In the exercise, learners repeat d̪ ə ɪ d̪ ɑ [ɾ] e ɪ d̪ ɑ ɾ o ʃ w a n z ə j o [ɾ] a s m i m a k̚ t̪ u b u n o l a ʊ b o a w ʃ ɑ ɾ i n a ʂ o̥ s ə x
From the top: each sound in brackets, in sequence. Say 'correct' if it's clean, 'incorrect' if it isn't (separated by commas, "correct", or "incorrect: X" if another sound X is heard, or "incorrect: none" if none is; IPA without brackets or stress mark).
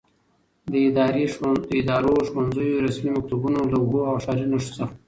correct, correct